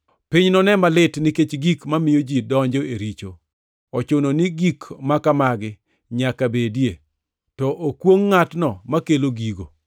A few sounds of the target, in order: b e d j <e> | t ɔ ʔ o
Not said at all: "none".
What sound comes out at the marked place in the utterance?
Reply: e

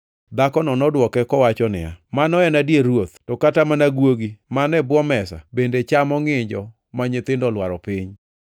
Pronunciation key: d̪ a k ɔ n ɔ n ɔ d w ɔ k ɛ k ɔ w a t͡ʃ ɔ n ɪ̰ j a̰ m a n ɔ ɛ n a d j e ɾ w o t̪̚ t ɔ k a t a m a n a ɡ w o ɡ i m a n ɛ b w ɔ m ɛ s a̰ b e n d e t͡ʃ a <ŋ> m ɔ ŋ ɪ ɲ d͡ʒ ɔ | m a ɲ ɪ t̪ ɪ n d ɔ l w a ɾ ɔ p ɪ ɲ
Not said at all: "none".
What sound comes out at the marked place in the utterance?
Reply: none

